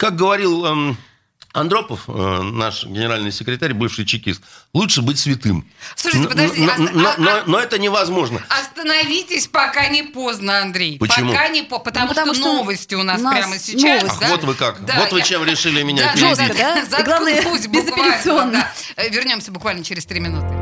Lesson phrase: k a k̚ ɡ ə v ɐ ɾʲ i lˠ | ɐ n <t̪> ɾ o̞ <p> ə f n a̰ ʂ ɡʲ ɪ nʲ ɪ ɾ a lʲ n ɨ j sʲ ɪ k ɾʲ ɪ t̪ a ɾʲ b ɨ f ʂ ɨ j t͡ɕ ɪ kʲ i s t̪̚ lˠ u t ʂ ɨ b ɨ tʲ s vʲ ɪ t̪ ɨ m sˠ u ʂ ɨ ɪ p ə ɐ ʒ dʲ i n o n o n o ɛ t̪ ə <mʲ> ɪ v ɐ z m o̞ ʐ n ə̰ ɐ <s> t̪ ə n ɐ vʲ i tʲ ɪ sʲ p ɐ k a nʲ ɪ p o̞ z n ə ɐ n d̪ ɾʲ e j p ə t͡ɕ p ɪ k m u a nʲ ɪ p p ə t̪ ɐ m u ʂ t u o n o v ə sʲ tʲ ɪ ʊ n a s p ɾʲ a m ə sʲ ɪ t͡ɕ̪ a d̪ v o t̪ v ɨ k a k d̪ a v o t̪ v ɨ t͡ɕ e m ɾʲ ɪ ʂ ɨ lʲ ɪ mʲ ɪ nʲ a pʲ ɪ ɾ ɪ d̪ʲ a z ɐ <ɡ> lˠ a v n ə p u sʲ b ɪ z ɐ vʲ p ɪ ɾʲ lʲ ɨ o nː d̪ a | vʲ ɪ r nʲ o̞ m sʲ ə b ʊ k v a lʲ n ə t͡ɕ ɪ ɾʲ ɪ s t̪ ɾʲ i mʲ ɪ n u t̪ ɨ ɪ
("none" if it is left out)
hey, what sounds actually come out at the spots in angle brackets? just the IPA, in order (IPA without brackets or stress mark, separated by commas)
d̪, p, nʲ, s, ɡ